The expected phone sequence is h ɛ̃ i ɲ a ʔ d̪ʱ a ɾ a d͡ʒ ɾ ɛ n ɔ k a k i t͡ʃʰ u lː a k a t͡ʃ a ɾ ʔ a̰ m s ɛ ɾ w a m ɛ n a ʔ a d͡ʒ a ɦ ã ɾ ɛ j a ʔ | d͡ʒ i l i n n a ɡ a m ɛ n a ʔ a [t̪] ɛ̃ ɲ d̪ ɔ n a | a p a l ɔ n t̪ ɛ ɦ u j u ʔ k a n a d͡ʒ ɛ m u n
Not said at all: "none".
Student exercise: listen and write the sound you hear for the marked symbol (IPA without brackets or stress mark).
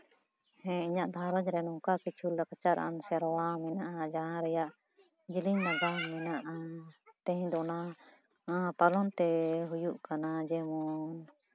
t̪